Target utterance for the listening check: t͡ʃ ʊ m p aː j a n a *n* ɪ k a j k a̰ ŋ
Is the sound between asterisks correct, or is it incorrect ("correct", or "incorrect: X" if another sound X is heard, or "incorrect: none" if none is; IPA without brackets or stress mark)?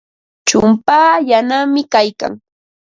incorrect: m